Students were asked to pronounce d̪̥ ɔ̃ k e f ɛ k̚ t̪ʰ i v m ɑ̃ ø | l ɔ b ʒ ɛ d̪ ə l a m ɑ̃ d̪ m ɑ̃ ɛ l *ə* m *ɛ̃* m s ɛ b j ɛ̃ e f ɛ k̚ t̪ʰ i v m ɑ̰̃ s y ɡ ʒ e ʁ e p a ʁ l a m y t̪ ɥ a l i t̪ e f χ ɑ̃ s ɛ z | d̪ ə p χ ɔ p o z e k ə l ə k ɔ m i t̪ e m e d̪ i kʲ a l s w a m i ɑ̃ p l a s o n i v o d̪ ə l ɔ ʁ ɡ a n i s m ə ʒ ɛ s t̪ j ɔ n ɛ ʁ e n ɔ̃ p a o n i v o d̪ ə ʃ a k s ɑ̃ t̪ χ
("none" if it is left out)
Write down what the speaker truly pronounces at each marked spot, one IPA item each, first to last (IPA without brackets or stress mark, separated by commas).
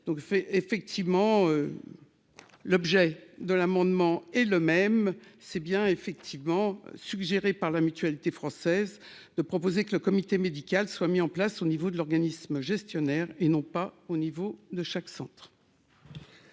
ə, ɛ